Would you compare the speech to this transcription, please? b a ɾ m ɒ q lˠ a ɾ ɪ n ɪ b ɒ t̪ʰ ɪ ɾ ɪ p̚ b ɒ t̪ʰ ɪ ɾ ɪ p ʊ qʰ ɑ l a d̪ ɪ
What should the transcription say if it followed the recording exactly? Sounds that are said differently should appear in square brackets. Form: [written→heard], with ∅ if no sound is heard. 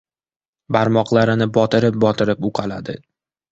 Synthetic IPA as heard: b a ɾ m ɒ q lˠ a ɾ ɪ n ɪ b ɒ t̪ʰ ɪ ɾ ɪ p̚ b ɒ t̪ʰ ɪ ɾ ɪ p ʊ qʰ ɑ l a d̪ ɪ